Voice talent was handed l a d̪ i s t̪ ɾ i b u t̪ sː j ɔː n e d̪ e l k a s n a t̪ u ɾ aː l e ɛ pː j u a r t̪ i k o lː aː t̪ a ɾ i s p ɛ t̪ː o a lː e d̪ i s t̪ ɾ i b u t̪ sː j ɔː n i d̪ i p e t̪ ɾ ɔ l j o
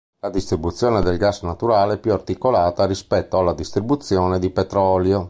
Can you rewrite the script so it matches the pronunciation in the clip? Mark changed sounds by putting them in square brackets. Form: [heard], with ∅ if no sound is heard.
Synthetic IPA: l a d̪ i s t̪ ɾ i b u t̪ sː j ɔː n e d̪ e l [ɡ] a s n a t̪ u ɾ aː l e ɛ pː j u a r t̪ i k o [l] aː t̪ a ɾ i s p ɛ t̪ː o a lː [a] d̪ i s t̪ ɾ i b u t̪ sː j ɔː n [e] d̪ i p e t̪ ɾ ɔ l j o